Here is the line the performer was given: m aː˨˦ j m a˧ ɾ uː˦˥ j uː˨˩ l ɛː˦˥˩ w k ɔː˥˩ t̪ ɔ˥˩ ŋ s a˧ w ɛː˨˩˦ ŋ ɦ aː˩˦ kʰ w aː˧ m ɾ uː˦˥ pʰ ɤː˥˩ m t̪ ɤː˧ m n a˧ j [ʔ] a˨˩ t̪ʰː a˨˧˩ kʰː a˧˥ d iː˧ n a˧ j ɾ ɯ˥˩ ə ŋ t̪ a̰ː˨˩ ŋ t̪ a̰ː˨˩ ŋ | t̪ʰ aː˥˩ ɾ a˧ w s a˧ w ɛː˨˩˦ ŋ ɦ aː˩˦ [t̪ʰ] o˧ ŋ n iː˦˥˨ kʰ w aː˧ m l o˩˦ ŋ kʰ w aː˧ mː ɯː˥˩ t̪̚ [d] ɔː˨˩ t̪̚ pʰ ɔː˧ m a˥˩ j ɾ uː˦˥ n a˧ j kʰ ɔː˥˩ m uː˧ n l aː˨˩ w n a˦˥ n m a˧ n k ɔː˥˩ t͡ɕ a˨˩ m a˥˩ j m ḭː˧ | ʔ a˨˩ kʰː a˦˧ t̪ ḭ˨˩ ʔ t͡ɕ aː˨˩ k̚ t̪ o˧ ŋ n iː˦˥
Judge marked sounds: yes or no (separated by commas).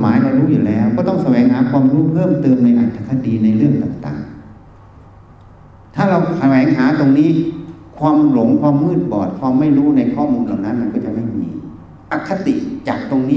yes, no, no